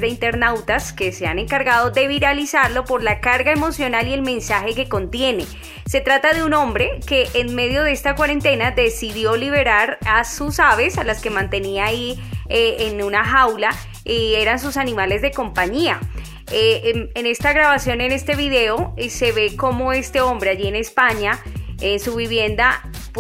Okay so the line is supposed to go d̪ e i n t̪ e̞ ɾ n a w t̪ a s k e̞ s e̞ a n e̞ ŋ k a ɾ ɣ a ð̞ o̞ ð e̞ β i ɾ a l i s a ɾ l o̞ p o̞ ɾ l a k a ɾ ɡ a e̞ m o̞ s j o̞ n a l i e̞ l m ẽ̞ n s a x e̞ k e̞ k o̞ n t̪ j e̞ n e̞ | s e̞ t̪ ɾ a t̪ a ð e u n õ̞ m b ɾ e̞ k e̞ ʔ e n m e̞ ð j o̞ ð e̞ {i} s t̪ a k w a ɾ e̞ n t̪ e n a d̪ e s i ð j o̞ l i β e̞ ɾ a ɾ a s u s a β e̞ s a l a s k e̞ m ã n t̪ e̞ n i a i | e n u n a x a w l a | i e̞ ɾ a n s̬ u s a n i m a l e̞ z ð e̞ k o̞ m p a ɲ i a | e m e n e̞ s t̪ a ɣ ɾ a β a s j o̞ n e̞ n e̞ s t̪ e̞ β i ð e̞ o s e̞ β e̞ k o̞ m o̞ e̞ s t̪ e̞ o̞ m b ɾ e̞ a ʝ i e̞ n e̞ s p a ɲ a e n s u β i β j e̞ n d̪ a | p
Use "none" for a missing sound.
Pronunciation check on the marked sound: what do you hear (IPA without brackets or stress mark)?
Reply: e